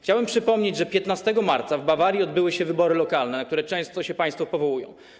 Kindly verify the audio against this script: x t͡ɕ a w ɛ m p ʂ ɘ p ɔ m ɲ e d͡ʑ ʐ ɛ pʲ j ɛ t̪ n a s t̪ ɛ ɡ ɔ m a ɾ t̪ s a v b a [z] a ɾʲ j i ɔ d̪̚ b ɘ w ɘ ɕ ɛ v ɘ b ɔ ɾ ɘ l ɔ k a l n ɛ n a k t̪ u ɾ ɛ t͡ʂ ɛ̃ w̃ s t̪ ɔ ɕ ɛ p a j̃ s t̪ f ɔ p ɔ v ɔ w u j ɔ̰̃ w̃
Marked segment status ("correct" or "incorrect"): incorrect